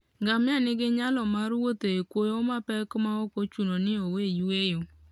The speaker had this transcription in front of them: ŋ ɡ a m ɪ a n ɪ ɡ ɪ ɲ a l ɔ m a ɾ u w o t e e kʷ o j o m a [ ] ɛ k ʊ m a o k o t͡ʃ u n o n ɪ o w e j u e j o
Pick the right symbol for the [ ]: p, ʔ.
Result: p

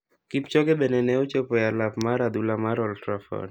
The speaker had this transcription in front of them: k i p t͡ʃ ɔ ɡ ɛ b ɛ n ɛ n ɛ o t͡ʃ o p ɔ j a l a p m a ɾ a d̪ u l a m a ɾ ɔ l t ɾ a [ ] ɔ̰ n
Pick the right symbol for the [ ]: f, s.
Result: f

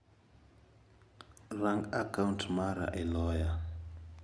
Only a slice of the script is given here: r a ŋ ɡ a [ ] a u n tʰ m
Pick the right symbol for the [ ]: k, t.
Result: k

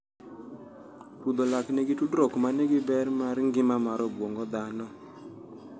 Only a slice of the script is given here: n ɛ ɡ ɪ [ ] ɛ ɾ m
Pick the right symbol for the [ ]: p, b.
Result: b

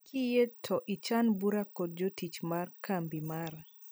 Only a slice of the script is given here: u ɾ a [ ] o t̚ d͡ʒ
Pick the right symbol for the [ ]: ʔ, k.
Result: k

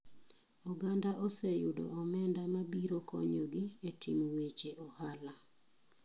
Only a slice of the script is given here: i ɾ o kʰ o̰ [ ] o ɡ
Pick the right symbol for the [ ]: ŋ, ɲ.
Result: ɲ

